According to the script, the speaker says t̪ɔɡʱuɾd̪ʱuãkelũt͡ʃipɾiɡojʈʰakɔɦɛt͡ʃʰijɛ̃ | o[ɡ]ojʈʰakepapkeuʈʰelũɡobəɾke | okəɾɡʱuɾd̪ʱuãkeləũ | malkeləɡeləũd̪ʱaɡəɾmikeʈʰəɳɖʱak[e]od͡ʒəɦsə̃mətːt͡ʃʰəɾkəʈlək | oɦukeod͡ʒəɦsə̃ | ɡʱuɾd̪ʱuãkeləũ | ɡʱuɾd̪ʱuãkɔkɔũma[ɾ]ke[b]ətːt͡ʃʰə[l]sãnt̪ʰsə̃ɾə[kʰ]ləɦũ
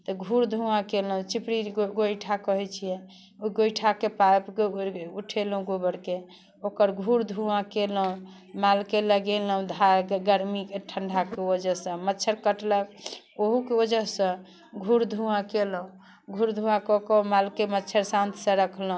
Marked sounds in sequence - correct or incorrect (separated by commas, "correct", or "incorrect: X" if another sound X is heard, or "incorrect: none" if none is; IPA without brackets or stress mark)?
correct, correct, incorrect: l, incorrect: m, incorrect: ɾ, correct